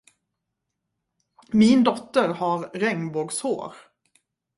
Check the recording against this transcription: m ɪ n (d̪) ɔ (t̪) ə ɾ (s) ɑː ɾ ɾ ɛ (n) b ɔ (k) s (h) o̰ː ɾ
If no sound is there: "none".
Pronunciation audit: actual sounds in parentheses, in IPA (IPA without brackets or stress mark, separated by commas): d̪, t̪, h, ŋ, ɡ, h